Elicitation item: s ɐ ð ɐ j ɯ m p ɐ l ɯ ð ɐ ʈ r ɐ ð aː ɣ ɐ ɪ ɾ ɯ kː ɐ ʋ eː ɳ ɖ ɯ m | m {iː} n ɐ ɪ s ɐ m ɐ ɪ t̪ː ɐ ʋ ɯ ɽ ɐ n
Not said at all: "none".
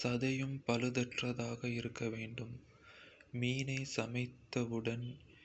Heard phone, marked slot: iː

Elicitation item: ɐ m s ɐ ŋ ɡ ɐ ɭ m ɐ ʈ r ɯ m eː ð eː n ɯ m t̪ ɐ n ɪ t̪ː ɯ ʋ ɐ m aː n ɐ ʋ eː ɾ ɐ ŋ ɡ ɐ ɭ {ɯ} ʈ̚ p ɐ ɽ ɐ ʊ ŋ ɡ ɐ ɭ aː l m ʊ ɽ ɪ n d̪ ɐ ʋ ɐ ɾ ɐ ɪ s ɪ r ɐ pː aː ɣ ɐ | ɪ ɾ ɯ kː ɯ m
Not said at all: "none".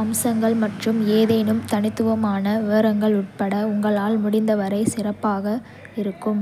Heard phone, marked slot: ʊ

